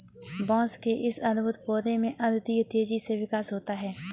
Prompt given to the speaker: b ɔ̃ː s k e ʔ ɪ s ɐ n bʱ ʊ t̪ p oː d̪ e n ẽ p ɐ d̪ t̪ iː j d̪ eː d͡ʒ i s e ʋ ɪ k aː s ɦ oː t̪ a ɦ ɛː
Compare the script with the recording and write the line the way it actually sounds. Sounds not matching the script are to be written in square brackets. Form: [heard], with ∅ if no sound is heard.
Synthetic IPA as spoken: b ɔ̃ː s k e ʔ ɪ s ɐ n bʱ ʊ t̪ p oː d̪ e [m] ẽ [ʔ] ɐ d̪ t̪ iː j [t̪] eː d͡ʒ i s e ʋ ɪ k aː s ɦ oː t̪ a ɦ ɛː